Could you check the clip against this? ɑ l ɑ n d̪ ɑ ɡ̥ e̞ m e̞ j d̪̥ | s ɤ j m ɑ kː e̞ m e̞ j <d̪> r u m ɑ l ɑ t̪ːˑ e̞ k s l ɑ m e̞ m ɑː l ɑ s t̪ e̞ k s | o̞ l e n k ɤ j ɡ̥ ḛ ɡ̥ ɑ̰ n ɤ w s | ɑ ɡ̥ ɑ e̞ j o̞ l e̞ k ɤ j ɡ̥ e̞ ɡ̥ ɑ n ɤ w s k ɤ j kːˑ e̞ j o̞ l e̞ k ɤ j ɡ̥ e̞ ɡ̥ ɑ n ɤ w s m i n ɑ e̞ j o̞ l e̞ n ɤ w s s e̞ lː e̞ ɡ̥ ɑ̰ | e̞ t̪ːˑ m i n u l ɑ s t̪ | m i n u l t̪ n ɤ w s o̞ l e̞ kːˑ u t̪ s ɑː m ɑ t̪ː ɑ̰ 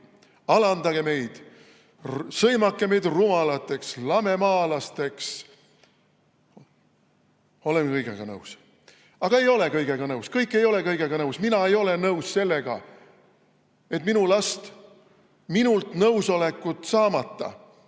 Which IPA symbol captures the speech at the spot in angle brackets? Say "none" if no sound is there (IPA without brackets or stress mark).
d̪